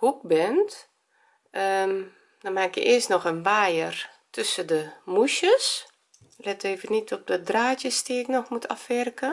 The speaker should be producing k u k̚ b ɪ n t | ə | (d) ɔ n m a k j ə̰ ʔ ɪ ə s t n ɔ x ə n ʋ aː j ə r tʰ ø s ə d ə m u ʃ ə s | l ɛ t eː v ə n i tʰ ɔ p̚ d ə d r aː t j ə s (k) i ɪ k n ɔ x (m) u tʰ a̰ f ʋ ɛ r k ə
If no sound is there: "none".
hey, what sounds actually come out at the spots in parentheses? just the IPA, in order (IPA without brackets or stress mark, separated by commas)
d, t, m